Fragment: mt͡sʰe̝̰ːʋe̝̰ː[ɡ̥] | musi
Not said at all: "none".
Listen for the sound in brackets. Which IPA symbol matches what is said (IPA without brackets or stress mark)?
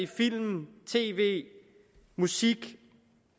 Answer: none